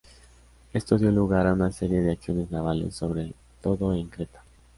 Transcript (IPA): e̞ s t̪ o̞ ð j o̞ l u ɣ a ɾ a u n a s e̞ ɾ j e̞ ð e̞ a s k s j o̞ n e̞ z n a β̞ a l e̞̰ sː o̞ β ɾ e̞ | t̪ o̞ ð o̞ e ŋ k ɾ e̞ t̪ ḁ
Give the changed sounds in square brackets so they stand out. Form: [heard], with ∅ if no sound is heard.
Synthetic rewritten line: e̞ s t̪ o̞ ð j o̞ l u ɣ a ɾ a u n a s e̞ ɾ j e̞ ð e̞ a [∅] k s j o̞ n e̞ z n a β̞ a l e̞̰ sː o̞ β ɾ e̞ | t̪ o̞ ð o̞ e ŋ k ɾ e̞ t̪ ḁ